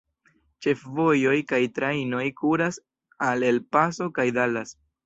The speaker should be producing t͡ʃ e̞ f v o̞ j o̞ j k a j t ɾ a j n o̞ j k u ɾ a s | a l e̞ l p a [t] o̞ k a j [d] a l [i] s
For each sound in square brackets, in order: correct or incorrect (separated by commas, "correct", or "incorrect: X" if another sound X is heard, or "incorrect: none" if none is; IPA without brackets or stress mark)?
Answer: incorrect: s, correct, incorrect: a